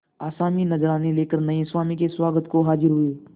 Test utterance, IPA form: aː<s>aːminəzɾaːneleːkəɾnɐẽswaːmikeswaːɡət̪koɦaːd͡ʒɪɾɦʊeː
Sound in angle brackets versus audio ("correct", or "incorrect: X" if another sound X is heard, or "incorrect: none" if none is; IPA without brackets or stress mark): correct